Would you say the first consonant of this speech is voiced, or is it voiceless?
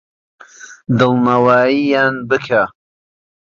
voiced